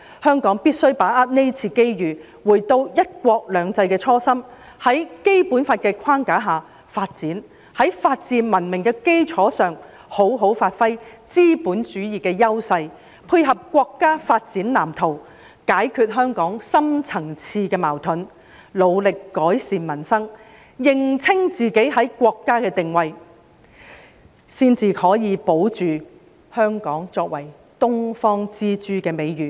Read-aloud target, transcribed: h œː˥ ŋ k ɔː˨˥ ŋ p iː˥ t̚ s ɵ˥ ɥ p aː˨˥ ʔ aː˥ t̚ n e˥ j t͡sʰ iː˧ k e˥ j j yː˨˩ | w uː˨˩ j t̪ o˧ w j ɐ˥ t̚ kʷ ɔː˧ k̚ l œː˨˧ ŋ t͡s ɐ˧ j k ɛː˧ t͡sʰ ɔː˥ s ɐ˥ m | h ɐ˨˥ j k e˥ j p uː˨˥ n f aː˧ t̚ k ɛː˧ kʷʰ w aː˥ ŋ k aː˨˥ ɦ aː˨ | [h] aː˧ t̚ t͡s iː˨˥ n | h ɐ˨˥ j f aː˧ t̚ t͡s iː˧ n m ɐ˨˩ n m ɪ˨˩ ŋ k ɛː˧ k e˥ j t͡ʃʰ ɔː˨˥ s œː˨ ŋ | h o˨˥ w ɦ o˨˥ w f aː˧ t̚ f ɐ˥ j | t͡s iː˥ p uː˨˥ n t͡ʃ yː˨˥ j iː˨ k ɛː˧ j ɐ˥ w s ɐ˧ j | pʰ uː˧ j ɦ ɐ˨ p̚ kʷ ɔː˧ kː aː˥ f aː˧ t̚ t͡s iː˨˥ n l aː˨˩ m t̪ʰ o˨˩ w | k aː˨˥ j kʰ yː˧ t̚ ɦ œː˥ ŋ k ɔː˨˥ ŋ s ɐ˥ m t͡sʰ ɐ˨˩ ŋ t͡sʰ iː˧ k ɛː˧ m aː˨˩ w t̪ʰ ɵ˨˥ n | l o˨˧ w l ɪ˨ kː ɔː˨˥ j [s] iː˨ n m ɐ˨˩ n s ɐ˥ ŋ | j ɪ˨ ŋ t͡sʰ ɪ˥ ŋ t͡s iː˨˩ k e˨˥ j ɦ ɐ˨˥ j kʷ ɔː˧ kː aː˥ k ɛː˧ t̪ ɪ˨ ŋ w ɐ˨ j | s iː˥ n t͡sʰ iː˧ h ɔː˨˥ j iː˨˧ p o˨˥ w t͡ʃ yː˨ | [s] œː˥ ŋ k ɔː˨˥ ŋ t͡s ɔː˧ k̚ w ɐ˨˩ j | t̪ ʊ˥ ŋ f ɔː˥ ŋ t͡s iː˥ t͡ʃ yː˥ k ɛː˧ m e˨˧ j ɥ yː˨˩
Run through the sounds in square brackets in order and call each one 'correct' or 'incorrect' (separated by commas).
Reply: incorrect, correct, incorrect